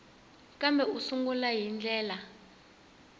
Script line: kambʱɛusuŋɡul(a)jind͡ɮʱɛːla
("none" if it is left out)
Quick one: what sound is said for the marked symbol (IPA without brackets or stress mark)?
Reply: a